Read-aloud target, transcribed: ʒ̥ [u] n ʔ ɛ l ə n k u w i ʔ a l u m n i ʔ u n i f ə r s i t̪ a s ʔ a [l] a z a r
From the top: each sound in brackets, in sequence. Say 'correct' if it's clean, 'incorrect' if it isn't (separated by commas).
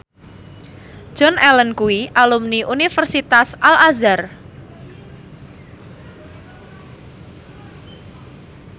incorrect, correct